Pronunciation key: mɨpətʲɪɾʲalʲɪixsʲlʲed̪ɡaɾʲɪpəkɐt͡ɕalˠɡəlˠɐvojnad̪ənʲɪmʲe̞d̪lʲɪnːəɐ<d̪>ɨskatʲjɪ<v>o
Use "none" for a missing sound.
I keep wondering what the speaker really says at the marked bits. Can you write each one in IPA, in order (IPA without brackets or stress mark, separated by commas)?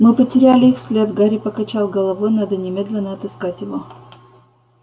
t̪, v